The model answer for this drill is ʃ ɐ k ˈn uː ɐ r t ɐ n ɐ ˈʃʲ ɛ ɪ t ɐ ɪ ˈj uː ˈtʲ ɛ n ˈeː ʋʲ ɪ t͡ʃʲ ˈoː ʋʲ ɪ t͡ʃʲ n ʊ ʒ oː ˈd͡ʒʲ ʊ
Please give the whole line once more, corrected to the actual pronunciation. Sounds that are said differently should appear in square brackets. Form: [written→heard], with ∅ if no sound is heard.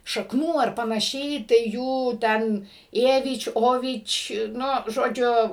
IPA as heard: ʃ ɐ k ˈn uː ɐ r [t→p] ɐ n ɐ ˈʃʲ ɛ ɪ t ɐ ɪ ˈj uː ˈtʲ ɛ n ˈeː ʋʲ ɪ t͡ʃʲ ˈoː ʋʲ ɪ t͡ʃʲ n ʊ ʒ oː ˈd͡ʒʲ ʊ